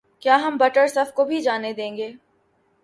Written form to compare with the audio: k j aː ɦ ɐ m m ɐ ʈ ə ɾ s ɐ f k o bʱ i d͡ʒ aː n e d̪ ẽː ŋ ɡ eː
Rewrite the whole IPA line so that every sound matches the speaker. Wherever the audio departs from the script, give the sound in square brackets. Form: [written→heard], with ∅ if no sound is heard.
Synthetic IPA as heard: k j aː ɦ ɐ m [m→b] ɐ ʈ ə ɾ s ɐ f k o bʱ i d͡ʒ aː n e d̪ ẽː ŋ ɡ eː